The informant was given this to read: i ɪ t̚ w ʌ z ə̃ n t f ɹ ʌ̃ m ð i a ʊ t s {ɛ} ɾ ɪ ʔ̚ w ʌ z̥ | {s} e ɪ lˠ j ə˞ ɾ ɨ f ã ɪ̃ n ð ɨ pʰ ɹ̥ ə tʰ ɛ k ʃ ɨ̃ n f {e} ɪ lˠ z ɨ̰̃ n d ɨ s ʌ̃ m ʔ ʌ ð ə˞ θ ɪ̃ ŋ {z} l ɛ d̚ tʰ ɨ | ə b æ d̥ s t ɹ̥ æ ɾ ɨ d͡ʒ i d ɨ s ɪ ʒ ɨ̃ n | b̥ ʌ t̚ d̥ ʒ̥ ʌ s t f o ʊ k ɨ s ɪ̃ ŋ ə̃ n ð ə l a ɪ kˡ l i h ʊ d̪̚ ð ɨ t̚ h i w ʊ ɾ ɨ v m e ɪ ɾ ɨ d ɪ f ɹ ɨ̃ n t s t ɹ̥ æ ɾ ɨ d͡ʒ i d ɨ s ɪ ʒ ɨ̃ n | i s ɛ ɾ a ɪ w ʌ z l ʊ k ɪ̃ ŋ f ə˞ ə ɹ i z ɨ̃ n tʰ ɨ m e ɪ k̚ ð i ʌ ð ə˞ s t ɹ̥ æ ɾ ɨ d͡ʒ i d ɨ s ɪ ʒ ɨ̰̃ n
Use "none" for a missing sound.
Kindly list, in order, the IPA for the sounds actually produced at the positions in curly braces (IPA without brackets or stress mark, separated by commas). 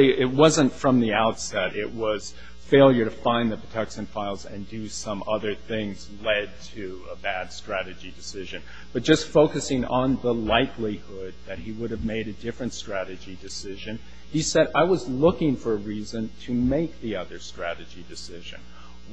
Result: ɛ, f, a, z